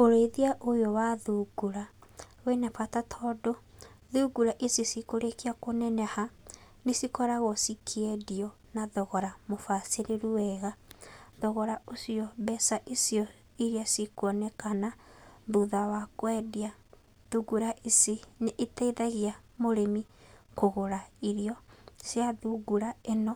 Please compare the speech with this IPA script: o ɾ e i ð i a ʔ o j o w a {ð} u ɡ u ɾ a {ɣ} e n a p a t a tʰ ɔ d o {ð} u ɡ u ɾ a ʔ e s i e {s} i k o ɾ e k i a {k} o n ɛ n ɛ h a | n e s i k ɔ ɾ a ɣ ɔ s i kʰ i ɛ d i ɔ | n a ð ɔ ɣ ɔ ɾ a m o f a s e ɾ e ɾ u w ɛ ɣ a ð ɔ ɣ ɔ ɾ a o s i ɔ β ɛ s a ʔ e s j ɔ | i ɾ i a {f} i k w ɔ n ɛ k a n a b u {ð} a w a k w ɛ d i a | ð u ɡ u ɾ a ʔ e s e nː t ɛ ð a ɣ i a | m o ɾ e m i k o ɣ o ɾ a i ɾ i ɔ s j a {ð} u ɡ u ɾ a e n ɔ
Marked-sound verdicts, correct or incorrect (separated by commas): correct, incorrect, correct, correct, correct, incorrect, correct, correct